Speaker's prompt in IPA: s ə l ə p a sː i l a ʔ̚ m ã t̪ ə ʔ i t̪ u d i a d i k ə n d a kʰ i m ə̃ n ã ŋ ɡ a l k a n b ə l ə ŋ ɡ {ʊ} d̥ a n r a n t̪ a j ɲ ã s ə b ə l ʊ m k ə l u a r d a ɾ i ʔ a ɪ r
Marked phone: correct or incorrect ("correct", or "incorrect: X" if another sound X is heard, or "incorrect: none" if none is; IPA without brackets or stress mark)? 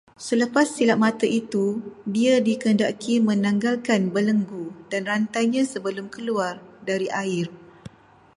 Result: incorrect: u